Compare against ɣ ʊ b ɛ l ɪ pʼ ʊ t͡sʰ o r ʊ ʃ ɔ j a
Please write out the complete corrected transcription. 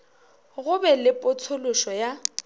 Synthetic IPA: ɣ ʊ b ɛ l ɪ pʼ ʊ t͡sʰ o l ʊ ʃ ɔ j a